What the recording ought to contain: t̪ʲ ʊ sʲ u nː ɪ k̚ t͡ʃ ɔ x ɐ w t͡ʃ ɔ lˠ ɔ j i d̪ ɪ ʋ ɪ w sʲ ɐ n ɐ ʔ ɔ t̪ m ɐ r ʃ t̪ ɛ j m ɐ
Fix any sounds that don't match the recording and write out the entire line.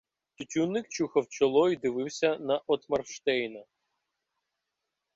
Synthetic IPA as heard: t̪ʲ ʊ tʲ u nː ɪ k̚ t͡ʃ u x ɐ w t͡ʃ ɔ lˠ ɔ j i d̪ ɪ ʋ ɪ w sʲ ɐ n ɐ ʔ ɔ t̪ m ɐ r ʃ t̪ ɛ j n ɐ